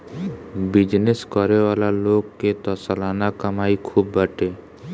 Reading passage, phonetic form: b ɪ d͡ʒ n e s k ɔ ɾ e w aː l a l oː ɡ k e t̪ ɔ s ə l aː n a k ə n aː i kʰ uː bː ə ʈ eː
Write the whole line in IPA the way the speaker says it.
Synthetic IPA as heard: b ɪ d͡ʒ n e s k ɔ ɾ e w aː l a l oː ɡ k e t̪ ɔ s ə l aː n a k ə m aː i kʰ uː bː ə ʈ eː